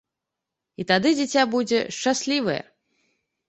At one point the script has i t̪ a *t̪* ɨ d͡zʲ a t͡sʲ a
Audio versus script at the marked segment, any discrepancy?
yes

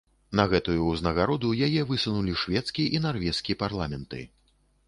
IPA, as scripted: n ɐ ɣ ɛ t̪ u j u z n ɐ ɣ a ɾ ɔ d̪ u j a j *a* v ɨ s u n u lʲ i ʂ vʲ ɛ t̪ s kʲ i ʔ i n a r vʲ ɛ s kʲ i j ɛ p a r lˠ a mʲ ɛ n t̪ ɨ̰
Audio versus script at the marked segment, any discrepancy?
yes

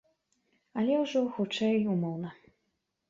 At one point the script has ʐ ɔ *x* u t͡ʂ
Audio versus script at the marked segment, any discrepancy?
no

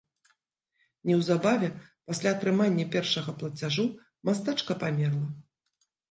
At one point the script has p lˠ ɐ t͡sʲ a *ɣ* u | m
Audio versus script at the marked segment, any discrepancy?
yes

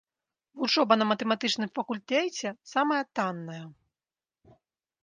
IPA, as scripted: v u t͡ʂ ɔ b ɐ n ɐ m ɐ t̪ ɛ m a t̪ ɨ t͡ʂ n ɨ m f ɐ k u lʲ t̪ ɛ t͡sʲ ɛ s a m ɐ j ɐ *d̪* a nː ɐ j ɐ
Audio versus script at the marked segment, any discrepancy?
yes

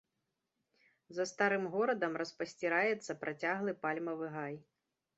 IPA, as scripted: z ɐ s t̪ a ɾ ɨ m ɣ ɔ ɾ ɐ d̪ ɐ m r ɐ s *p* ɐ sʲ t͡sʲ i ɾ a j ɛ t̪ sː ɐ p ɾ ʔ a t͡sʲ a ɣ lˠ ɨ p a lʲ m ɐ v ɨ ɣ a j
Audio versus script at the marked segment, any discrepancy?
no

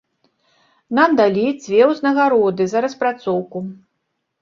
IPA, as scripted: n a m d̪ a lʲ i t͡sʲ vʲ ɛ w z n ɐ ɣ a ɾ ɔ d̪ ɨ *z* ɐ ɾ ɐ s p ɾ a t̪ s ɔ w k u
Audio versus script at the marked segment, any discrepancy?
no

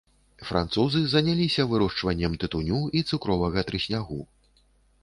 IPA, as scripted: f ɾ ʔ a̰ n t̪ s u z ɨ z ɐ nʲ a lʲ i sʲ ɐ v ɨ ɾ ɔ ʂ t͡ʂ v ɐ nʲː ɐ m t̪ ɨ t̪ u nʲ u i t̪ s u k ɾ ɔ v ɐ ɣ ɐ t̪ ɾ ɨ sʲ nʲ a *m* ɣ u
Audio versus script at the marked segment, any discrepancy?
yes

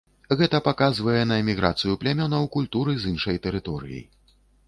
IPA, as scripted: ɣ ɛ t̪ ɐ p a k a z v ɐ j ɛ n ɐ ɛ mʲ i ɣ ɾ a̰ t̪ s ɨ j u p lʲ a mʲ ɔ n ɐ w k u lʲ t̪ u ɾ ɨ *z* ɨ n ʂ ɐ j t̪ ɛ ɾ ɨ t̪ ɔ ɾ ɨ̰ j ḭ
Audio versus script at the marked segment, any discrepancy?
no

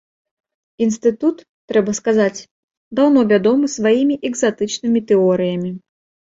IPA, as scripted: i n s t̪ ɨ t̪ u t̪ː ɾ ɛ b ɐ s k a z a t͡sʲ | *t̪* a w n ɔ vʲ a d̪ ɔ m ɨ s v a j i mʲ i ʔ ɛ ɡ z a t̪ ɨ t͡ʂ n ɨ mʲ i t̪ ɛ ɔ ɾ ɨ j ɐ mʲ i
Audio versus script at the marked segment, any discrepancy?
yes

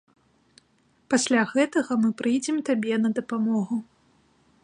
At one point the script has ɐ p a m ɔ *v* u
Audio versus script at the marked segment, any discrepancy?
yes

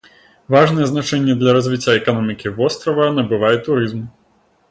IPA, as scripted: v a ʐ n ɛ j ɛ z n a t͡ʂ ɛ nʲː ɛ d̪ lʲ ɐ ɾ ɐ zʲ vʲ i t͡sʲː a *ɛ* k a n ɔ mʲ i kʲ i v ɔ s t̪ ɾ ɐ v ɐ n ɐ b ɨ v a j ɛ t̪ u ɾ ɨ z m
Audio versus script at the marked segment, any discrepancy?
no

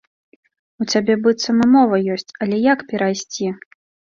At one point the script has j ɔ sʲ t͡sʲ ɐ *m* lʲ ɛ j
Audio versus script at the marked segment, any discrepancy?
yes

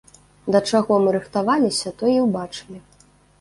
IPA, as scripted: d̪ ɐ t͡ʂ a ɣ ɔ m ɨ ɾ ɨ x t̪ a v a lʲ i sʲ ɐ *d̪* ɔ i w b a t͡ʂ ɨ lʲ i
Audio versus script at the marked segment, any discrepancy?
yes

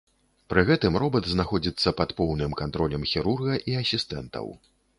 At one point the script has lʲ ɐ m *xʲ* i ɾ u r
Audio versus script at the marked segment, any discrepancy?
no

